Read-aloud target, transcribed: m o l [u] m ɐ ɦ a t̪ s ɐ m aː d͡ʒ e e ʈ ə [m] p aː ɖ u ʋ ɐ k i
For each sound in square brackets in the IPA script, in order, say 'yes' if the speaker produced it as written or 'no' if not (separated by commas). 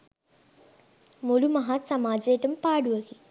yes, yes